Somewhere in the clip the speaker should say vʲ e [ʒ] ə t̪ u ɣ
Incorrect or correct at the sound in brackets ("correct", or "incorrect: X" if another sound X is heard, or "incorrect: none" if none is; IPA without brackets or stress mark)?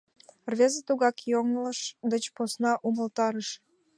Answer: incorrect: z